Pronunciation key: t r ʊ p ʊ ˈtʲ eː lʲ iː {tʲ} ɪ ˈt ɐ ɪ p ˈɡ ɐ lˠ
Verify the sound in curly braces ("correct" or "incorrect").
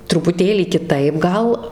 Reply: incorrect